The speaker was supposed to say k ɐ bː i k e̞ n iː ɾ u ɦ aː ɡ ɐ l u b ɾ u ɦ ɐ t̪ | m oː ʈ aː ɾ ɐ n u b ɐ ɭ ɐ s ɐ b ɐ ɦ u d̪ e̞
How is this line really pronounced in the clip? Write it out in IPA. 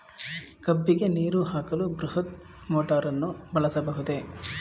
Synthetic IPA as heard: k ɐ bː i ɡ e̞ n iː ɾ u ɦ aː k ɐ l u b ɾ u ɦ ɐ t̪ | m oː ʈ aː ɾ ɐ nː u b ɐ ɭ ɐ s ɐ b ɐ ɦ u d̪ e̞